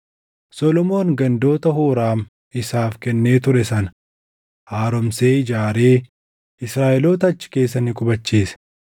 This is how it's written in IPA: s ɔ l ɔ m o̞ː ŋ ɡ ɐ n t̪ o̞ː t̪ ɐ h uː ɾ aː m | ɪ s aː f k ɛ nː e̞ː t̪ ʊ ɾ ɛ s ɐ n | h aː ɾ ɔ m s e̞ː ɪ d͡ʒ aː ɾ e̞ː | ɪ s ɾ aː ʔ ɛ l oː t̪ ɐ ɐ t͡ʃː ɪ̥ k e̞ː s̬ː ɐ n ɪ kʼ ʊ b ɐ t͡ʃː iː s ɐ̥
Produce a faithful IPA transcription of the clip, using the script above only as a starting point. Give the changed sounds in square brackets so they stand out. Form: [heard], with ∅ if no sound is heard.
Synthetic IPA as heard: s ɔ l ɔ m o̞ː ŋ ɡ ɐ n [d̪] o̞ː t̪ ɐ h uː ɾ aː m | ɪ s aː f k ɛ nː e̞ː t̪ ʊ ɾ ɛ s ɐ n | h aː ɾ ɔ m s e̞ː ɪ d͡ʒ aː ɾ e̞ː | ɪ s ɾ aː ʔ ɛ l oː t̪ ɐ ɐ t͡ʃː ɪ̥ k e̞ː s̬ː ɐ n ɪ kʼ ʊ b ɐ t͡ʃː iː s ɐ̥